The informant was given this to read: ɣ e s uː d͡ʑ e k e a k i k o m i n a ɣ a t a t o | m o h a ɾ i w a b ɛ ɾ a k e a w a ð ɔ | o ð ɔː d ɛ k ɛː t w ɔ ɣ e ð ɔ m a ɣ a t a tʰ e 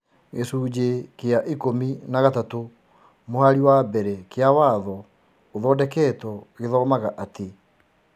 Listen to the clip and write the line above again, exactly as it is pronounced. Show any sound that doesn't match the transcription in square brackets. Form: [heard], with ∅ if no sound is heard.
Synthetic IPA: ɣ e s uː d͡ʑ e k e a [ʔ] i k o m i n a ɣ a t a t o | m o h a ɾ i w a b ɛ ɾ [ɛ] k e a w a ð ɔ | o ð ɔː d ɛ k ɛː t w ɔ ɣ e ð ɔ m a ɣ a [ʔ] a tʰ e